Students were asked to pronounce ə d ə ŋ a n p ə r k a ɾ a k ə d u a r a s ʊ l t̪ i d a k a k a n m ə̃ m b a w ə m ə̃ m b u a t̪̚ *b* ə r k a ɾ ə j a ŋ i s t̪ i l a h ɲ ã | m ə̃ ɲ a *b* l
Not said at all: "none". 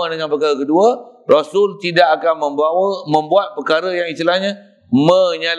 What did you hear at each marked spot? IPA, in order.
p, none

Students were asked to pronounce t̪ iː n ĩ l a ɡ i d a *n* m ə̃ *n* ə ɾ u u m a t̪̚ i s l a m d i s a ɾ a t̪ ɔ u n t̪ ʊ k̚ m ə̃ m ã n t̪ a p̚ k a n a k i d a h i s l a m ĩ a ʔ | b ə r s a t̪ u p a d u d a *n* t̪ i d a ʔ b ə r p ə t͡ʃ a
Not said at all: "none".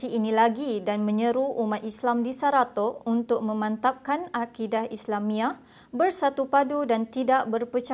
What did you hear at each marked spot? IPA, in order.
n, ɲ, n

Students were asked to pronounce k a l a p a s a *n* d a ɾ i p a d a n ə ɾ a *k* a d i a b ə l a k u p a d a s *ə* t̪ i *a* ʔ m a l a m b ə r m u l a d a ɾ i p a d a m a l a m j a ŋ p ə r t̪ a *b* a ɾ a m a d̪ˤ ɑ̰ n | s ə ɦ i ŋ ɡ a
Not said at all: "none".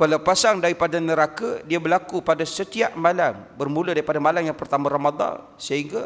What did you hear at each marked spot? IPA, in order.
ŋ, k, ə, a, m

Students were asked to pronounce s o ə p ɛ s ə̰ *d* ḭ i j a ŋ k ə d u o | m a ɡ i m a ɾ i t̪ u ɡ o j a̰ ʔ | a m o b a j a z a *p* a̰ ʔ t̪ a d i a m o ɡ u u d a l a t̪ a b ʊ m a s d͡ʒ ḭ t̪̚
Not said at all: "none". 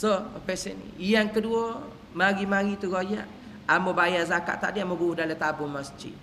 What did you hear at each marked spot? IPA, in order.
n, k

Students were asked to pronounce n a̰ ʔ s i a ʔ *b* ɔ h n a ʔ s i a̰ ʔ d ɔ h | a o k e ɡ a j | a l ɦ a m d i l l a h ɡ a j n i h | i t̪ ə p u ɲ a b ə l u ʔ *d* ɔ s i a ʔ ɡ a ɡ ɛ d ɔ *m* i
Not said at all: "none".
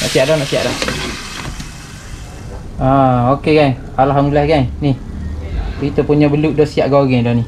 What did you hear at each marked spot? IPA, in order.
d, d, n

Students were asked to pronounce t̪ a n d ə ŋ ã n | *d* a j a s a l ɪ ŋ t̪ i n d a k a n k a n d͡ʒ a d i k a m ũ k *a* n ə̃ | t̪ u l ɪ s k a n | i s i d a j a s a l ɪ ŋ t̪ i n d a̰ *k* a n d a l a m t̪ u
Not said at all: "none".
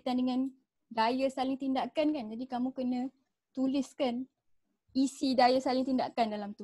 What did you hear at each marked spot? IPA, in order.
d, ə, k

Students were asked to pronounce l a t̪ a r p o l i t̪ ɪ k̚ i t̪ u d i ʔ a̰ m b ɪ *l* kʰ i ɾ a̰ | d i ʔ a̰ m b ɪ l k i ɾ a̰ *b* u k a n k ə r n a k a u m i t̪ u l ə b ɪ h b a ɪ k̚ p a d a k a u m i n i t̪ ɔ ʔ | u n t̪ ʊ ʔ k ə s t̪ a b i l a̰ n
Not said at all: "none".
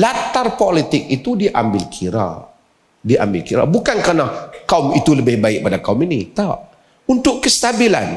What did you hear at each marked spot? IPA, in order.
l, b

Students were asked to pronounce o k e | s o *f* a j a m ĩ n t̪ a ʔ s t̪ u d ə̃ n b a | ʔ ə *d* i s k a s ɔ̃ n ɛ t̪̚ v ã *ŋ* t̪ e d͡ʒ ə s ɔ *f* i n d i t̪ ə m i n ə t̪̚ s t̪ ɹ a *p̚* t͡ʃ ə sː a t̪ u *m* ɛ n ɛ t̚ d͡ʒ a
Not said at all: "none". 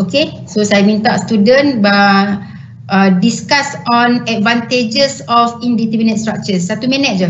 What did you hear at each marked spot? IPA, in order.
s, d, n, f, k̚, m

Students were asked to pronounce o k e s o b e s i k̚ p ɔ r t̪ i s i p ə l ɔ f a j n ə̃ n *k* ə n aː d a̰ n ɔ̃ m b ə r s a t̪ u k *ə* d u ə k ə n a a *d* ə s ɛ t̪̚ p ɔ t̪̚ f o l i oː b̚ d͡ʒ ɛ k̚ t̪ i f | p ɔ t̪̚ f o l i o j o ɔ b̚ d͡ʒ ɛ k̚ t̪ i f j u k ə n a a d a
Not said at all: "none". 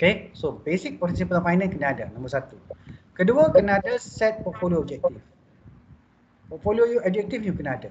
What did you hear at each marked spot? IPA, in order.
k, ə, d

